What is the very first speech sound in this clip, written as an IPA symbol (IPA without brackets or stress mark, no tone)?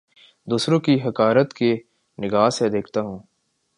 d̪